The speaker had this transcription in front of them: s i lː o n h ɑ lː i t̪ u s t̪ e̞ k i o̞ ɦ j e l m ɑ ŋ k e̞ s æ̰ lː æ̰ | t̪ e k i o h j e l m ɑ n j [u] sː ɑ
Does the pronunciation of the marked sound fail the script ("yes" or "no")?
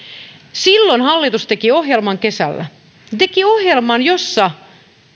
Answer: yes